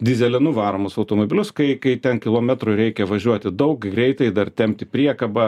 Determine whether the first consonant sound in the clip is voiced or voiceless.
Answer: voiced